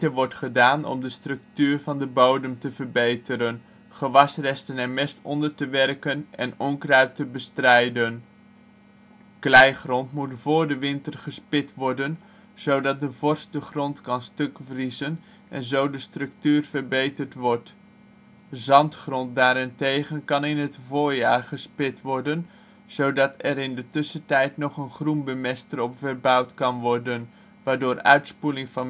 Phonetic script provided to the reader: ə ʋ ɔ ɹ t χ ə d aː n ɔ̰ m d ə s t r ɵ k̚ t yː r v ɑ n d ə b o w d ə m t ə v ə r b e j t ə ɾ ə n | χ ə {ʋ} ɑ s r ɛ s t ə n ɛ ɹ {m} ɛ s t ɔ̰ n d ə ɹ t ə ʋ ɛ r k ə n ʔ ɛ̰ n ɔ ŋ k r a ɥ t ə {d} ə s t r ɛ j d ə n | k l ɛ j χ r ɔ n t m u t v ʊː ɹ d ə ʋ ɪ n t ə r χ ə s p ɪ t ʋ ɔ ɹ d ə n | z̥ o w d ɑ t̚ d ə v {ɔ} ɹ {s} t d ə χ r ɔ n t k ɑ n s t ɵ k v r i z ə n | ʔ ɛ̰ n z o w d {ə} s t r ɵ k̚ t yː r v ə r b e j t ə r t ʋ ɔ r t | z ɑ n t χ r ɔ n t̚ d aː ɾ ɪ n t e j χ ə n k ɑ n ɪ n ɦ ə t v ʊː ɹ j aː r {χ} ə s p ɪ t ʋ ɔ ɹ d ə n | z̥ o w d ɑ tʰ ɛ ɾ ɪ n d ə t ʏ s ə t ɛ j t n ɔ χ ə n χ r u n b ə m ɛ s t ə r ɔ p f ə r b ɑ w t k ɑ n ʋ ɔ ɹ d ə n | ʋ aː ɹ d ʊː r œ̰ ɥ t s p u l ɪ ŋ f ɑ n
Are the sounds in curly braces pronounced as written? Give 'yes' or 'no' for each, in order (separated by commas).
yes, yes, no, yes, yes, yes, yes